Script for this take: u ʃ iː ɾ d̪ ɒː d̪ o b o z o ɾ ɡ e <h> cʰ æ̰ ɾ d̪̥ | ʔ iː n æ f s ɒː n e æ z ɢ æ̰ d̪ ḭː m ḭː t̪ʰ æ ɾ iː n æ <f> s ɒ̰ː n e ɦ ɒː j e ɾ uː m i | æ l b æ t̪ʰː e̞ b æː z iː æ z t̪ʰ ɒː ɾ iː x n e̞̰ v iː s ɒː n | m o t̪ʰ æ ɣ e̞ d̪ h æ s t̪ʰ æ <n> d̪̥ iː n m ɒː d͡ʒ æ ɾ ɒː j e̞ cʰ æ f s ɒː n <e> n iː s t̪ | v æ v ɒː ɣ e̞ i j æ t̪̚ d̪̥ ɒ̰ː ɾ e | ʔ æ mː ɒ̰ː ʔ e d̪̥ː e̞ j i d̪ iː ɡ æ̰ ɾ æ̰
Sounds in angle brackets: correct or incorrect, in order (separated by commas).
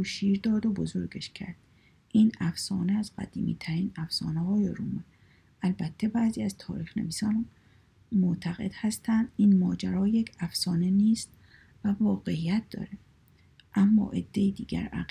incorrect, correct, correct, correct